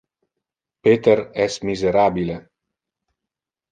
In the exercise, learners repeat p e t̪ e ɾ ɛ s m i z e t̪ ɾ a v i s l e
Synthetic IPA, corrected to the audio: p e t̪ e ɾ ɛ s m i z e ɾ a b i l e